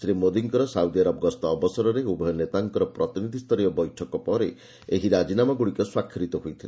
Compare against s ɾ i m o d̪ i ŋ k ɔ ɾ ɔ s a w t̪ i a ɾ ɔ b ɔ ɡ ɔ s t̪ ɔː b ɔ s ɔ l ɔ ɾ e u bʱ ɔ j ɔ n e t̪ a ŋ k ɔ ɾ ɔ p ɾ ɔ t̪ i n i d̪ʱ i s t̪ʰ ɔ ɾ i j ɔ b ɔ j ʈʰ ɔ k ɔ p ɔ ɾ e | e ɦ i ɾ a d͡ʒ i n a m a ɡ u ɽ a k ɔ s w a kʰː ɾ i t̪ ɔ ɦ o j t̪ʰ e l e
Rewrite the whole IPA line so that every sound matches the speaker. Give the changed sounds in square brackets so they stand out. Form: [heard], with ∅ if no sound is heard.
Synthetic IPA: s ɾ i m o d̪ i ŋ k ɔ ɾ ɔ s a w [d̪] i a ɾ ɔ b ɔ ɡ ɔ s t̪ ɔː b ɔ s ɔ [ɾ] ɔ ɾ e u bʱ ɔ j ɔ n e t̪ a ŋ k ɔ ɾ ɔ p ɾ ɔ t̪ i n i d̪ʱ i s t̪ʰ ɔ ɾ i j ɔ b ɔ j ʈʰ ɔ k ɔ p ɔ ɾ e | e ɦ i ɾ a d͡ʒ i n a m a ɡ u ɽ [i] k ɔ s w a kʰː ɾ i t̪ ɔ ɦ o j t̪ʰ [i] l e